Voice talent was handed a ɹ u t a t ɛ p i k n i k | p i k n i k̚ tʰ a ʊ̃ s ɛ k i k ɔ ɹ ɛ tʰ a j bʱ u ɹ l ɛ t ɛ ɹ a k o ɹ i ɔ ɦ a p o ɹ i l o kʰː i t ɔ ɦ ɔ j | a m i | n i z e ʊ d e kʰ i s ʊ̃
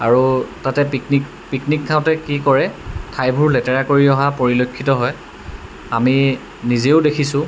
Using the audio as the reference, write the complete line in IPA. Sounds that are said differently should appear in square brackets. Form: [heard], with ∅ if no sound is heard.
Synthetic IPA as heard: a ɹ u t a t ɛ p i k n i k | p i k n i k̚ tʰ a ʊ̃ [t] ɛ k i k ɔ ɹ ɛ tʰ a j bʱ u ɹ l ɛ t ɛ ɹ a k o ɹ i ɔ ɦ a p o ɹ i l o kʰː i t ɔ ɦ ɔ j | a m i | n i z e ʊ d e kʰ i s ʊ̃